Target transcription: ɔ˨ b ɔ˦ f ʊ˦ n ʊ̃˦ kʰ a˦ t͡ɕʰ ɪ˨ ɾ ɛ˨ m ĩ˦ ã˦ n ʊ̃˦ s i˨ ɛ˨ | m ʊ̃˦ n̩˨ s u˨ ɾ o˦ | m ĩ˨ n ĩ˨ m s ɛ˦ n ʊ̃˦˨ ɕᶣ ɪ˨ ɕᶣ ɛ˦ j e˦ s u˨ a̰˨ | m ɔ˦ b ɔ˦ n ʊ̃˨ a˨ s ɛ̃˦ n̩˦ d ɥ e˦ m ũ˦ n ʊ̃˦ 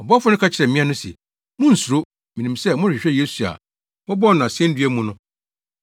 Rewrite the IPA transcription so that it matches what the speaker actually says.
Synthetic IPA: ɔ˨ b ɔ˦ f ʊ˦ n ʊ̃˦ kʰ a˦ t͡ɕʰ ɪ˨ ɾ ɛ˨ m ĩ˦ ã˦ n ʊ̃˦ s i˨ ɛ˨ | m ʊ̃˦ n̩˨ s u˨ ɾ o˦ | m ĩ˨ n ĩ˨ m s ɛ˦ m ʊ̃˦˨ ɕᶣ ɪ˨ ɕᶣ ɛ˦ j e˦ s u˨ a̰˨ | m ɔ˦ b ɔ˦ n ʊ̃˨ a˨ s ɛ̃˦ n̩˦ d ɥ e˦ m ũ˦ n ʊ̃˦